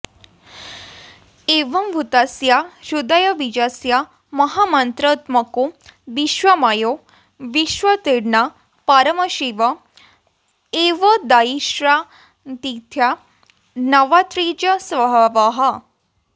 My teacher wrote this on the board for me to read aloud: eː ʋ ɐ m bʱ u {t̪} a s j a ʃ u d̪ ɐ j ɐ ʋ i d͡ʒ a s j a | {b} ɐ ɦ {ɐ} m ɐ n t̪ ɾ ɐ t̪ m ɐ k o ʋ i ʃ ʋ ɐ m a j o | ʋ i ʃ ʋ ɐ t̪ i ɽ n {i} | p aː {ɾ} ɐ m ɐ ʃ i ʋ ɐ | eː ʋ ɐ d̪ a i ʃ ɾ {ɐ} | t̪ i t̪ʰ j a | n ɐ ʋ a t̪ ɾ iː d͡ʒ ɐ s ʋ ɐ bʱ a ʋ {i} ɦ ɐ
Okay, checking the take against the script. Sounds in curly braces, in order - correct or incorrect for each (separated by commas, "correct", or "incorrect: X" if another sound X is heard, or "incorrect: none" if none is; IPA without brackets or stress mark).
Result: correct, incorrect: m, incorrect: a, incorrect: a, correct, incorrect: a, incorrect: a